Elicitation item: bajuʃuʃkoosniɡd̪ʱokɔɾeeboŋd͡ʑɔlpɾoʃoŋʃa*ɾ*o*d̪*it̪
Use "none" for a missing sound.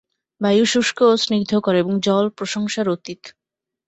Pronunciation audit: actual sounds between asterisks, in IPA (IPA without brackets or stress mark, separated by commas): ɾ, t̪